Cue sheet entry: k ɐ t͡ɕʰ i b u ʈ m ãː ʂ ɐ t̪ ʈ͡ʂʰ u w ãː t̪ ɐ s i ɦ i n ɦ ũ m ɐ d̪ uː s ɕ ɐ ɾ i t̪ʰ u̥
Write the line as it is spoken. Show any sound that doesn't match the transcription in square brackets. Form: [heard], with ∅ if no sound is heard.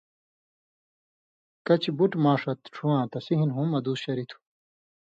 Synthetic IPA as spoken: k ɐ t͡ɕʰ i b u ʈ m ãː ʂ ɐ t̪ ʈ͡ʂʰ u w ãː t̪ ɐ s i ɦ i n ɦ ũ m ɐ d̪ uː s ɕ ɐ ɾ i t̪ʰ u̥